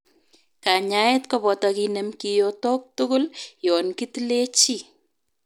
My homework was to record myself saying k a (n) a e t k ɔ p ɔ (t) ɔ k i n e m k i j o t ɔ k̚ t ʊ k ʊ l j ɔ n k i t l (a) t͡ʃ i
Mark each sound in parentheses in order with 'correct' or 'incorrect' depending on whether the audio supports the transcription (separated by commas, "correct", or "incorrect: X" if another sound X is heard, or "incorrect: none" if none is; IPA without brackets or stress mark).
incorrect: ɲ, correct, incorrect: e